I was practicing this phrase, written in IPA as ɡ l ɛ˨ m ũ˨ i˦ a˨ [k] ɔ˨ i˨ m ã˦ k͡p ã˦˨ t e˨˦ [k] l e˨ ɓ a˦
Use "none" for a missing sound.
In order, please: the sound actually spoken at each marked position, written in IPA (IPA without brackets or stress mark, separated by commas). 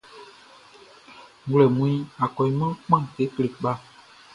k, k